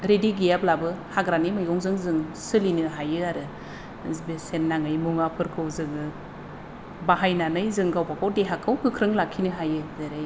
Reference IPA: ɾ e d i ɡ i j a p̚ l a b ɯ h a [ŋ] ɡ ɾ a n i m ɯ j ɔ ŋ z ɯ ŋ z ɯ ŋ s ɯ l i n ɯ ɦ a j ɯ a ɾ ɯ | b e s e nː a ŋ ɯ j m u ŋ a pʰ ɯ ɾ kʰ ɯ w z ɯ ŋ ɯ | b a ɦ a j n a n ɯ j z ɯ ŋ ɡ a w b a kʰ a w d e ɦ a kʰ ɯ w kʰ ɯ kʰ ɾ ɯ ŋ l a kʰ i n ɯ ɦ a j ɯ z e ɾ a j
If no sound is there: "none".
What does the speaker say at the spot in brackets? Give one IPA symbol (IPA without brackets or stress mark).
none